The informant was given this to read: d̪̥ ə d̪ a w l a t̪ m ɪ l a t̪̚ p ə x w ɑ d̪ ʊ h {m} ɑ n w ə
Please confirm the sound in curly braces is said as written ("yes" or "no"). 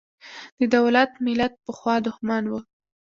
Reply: yes